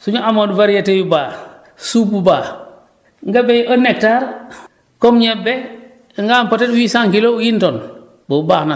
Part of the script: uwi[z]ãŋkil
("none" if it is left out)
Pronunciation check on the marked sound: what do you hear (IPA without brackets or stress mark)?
s